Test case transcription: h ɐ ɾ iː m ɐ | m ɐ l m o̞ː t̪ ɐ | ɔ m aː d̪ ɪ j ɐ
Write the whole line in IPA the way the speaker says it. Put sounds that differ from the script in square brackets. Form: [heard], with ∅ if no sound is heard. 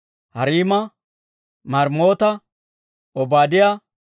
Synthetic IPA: h ɐ ɾ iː m ɐ | m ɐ [ɾ] m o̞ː t̪ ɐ | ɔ [b] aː d̪ ɪ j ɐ